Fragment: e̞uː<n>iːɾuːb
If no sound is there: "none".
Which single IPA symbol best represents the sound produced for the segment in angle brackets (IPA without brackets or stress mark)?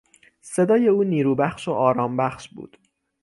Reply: n